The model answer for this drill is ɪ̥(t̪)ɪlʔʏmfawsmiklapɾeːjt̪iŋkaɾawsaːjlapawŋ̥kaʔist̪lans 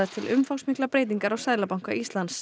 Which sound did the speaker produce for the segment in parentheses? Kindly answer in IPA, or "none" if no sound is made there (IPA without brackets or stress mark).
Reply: t̪ʰ